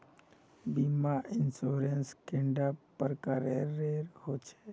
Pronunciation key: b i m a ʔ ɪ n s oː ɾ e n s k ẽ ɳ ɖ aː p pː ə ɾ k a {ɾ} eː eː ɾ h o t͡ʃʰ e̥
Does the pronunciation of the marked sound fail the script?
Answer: no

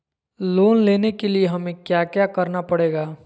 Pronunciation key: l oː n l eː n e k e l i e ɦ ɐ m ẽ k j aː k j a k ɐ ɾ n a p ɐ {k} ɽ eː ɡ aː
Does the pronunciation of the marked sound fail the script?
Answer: yes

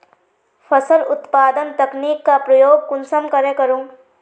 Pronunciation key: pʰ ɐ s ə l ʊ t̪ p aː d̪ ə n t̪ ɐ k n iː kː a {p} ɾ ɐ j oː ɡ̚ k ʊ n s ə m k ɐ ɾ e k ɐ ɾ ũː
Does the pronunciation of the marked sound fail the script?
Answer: no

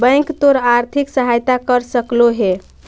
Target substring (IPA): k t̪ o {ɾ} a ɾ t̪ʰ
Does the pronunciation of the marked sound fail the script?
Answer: no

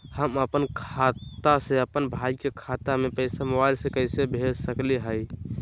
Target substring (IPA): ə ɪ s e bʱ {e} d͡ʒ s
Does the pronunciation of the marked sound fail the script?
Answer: no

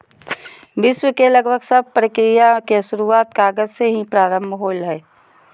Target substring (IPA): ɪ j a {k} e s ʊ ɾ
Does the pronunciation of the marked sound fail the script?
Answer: no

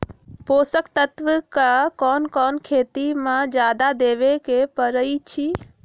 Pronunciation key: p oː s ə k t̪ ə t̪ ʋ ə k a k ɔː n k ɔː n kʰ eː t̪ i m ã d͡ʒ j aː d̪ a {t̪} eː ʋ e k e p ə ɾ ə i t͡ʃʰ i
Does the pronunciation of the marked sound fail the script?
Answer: yes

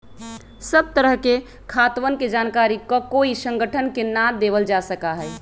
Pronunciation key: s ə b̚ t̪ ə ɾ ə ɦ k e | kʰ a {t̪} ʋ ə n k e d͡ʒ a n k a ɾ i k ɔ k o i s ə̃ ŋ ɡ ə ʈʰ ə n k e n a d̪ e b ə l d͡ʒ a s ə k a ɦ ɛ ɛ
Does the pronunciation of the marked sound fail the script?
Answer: no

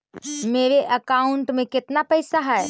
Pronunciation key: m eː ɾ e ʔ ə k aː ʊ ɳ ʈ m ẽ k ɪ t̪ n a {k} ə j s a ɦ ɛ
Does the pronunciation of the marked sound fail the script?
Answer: yes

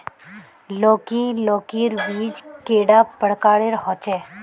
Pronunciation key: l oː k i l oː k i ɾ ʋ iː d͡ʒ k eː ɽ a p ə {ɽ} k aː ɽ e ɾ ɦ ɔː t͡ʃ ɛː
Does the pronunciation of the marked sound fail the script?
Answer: no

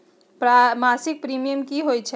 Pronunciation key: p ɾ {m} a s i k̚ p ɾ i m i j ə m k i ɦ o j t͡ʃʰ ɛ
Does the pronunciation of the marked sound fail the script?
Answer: no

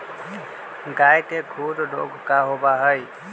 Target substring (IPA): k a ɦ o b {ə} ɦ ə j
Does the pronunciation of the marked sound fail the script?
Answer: yes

